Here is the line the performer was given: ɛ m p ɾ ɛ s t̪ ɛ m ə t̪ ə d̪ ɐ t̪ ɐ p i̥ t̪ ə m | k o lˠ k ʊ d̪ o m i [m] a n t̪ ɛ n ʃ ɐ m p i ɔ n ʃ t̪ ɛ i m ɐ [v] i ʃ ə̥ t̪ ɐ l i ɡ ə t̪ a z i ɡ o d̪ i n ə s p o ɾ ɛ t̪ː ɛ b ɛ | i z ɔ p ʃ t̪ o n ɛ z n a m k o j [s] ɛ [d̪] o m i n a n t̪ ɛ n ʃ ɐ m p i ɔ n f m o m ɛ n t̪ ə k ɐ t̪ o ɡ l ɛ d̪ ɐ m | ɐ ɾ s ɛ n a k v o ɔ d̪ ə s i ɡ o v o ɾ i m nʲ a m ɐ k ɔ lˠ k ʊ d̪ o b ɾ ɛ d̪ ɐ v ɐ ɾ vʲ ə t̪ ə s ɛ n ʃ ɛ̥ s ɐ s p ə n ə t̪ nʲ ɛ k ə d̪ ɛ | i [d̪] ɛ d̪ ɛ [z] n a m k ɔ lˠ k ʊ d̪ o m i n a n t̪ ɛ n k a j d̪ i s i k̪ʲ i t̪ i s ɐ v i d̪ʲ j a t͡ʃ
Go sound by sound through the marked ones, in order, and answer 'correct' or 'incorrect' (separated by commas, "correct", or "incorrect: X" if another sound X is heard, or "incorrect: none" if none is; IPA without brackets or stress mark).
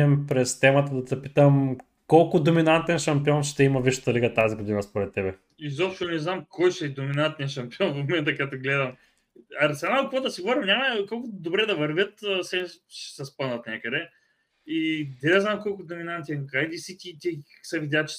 incorrect: n, correct, incorrect: ʃ, correct, correct, correct